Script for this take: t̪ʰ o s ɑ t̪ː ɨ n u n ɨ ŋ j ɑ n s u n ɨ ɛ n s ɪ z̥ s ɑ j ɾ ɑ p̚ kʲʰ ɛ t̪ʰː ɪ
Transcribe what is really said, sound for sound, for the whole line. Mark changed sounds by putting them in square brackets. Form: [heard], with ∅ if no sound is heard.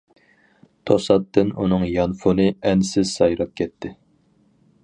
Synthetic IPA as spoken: t̪ʰ o s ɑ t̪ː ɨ n u n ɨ ŋ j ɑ n [f] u n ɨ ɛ n s ɪ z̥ s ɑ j ɾ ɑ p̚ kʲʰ ɛ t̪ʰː ɪ